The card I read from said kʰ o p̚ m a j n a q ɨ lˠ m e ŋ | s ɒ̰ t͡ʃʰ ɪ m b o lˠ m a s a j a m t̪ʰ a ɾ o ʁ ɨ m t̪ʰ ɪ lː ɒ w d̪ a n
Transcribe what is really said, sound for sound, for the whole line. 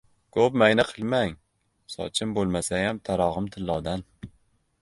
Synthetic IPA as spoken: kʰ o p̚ m a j n a qʰ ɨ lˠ m a ŋ | s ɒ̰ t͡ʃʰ ɪ m b o lˠ m a s a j a m t̪ʰ a ɾ ɒ ʁ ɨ m t̪ʰ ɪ lː ɒ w d̪ a n

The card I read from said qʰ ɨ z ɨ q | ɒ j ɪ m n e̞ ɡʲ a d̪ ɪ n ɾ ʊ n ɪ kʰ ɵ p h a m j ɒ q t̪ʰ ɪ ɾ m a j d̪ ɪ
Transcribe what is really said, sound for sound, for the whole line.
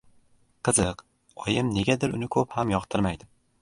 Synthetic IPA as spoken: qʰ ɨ z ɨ q | ɒ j ɪ m n e̞ ɡʲ a d̪ ɪ ɾ ʊ n ɪ kʰ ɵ p h a m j ɒ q t̪ʰ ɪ ɾ m a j d̪ ɪ

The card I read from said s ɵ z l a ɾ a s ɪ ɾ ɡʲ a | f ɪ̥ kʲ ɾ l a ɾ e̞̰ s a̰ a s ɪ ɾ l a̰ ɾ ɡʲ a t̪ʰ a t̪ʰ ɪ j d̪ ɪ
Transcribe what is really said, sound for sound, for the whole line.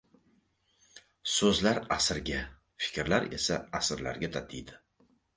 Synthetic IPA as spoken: s ɵ z l a ɾ a s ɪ ɾ ɡʲ a | f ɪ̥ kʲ ɾ l a ɾ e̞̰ s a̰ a s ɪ ɾ l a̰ ɾ ɡʲ a t̪ʰ a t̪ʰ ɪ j d̪ ɪ

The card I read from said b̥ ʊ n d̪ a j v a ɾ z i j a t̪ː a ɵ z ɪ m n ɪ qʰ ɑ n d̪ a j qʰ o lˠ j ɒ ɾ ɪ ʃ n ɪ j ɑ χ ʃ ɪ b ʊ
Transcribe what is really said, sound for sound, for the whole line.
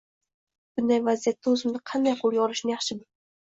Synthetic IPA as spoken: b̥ ʊ n d̪ a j v a z i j a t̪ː a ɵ z ɪ m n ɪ qʰ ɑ n d̪ a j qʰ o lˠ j ɒ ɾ ɪ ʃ n ɪ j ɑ χ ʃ ɪ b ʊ

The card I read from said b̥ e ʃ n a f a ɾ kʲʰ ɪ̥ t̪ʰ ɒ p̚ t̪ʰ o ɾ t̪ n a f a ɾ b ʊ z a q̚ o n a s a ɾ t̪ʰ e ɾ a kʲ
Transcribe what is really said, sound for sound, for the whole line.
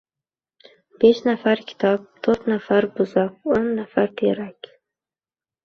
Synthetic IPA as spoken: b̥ e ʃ n a f a ɾ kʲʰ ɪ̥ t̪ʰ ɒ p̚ t̪ʰ o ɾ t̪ n a f a ɾ b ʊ z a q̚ o nː a f a ɾ t̪ʰ e ɾ a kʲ

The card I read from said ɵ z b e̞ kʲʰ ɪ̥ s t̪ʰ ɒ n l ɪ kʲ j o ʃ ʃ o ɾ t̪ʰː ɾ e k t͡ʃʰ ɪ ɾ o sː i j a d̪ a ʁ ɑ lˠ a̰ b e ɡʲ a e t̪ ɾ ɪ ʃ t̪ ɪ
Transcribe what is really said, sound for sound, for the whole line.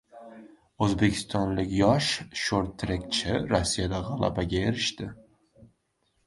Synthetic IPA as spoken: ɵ z b e̞ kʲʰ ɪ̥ s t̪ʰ ɒ n l ɪ kʲ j ɒ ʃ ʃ o ɾ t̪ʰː ɾ e k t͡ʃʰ ɪ ɾ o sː i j a d̪ a ʁ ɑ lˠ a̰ b a ɡʲ a e ɾ ɪ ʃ t̪ ɪ

